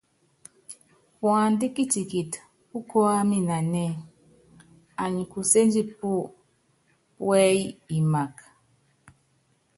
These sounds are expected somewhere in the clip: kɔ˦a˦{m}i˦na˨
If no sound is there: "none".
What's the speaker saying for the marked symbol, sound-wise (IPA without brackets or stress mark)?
m